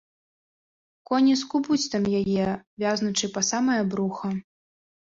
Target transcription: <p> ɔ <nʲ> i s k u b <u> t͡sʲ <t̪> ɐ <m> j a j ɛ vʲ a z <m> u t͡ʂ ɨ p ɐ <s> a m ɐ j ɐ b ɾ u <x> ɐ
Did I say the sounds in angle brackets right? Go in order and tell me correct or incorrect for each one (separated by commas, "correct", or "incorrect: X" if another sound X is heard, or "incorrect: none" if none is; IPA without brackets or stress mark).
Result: incorrect: k, correct, correct, correct, correct, incorrect: n, correct, correct